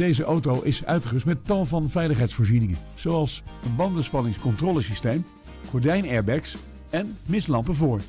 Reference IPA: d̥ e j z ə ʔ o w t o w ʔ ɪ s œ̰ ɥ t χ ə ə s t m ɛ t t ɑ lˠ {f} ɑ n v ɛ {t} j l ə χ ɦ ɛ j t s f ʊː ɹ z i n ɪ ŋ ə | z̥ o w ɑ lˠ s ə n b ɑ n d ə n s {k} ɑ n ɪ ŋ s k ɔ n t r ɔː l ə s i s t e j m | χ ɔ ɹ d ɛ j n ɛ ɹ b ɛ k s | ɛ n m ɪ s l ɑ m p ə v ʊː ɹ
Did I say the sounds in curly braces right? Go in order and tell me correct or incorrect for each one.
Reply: incorrect: v, incorrect: none, incorrect: p

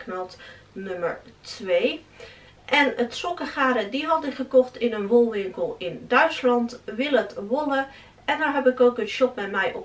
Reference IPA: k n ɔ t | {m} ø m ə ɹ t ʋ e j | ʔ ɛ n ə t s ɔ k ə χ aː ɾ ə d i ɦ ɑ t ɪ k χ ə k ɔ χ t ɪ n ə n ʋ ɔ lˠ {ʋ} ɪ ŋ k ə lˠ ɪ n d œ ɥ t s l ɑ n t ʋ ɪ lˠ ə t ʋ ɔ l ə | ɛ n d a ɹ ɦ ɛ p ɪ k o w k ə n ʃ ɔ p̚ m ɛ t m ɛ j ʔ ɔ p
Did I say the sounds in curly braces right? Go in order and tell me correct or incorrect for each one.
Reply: incorrect: n, correct

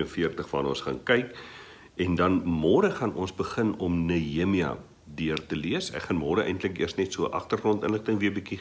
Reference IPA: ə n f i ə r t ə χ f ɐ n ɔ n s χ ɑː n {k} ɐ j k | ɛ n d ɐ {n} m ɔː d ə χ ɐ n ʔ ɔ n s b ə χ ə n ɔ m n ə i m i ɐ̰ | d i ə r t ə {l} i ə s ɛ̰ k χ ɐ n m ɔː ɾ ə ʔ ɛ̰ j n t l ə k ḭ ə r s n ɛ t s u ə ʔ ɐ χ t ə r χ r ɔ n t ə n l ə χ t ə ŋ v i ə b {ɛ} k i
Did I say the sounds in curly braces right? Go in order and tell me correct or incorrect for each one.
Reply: correct, correct, correct, incorrect: i

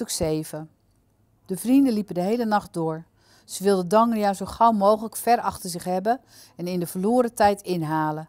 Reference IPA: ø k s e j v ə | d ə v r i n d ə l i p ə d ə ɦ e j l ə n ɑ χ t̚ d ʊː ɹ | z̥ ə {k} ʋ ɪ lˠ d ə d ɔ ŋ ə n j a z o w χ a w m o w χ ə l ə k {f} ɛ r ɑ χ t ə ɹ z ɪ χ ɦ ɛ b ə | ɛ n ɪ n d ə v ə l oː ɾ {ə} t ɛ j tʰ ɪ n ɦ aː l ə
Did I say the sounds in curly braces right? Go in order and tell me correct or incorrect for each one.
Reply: incorrect: none, correct, correct

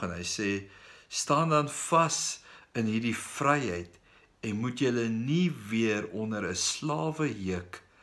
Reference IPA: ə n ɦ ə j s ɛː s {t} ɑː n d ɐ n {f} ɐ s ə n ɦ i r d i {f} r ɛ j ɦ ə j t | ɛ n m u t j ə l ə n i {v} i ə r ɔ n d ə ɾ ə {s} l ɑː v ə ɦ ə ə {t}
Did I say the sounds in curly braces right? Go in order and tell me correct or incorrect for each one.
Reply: correct, correct, correct, correct, correct, incorrect: k

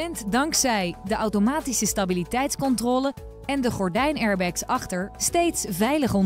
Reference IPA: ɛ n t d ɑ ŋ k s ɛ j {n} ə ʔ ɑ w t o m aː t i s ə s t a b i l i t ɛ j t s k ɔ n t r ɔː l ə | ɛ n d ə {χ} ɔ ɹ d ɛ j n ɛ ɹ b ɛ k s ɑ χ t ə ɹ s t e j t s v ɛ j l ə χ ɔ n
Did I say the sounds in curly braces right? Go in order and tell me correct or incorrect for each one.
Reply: incorrect: d, correct

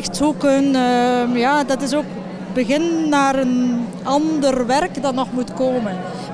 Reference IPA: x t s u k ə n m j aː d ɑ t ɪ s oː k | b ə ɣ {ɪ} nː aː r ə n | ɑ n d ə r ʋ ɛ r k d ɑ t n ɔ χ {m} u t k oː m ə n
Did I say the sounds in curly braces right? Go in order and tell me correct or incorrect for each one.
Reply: correct, correct

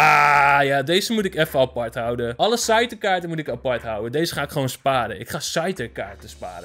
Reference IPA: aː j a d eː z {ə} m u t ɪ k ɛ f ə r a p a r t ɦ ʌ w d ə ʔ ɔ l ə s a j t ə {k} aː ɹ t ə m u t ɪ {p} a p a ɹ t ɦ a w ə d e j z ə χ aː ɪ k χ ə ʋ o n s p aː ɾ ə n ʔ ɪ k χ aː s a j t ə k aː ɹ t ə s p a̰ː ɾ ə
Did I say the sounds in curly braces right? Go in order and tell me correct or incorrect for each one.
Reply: correct, correct, incorrect: k

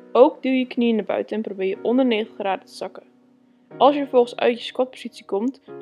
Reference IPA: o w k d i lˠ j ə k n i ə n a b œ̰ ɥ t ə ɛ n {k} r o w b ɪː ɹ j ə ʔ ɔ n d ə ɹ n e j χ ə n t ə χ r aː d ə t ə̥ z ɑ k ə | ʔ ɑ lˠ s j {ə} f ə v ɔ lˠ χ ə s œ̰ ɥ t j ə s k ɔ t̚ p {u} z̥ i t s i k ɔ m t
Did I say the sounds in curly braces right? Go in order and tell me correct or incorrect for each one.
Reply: incorrect: p, correct, incorrect: o

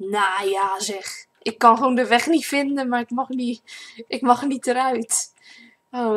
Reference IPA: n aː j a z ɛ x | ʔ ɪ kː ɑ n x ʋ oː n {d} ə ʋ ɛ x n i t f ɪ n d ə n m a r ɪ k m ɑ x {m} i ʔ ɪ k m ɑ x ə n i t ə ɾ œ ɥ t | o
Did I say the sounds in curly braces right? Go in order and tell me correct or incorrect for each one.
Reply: correct, incorrect: n

